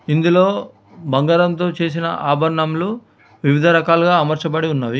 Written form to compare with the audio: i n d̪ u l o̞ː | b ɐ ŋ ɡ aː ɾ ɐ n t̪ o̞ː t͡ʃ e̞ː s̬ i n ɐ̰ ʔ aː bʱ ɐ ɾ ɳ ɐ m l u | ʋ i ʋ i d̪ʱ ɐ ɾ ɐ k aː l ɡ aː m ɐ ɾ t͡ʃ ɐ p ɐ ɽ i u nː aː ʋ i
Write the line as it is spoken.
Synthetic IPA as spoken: i n d̪ u l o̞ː | b ɐ ŋ ɡ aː ɾ ɐ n t̪ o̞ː t͡ʃ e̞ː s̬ i n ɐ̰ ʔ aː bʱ ɐ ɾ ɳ ɐ m l u | ʋ i ʋ i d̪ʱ ɐ ɾ ɐ k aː l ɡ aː m ɐ ɾ t͡ʃ ɐ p ɐ ɽ i u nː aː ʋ i